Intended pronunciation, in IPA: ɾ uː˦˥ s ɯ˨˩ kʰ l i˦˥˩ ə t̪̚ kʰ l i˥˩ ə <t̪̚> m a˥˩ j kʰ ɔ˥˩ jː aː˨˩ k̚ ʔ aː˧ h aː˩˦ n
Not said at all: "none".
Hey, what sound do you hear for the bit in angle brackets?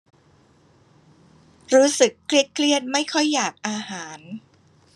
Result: t̪̚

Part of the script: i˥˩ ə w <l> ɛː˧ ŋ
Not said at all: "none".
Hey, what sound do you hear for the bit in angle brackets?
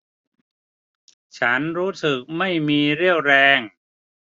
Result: ɾ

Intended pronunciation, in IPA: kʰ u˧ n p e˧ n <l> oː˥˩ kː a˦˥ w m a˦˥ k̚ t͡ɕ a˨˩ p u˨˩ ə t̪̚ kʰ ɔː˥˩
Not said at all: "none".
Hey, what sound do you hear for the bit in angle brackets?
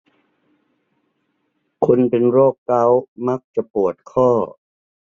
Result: ɾ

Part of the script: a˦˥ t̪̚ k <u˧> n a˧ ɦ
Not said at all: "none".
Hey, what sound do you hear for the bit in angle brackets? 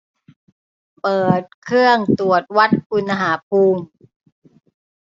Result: u˧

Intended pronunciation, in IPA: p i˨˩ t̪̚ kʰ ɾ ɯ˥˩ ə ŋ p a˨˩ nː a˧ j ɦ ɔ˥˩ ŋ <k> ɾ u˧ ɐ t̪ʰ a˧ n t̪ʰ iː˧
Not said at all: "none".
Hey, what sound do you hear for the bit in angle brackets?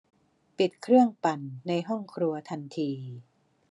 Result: kʰ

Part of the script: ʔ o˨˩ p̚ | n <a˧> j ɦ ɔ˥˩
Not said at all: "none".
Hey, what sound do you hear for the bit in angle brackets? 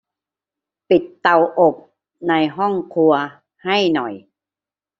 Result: a˧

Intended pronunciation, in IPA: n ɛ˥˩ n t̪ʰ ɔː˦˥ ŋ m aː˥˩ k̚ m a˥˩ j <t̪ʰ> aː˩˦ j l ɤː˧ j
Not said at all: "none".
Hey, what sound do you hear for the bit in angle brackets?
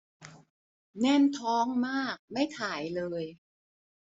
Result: t̪ʰ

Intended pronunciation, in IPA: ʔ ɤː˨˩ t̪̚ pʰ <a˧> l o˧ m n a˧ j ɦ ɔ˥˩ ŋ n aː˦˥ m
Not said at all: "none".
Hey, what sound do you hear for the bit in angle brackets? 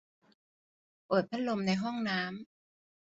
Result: a˦˥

